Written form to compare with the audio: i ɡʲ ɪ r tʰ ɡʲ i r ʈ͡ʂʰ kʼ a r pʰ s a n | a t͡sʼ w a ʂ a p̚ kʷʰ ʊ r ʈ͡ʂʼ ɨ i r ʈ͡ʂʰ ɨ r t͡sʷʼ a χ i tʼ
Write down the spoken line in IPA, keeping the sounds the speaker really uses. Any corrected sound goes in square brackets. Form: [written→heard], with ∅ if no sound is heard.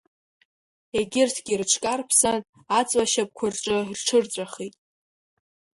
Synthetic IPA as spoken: [i→e] ɡʲ ɪ r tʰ ɡʲ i r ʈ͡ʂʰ kʼ a r pʰ s a n | a t͡sʼ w a [ʂ→ʃ] a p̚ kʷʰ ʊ r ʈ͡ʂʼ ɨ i r ʈ͡ʂʰ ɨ r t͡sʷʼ a χ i tʼ